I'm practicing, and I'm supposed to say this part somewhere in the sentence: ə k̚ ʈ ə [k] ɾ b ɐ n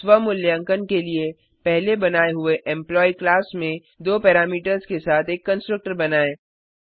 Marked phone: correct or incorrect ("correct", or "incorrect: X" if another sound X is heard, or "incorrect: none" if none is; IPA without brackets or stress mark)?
incorrect: none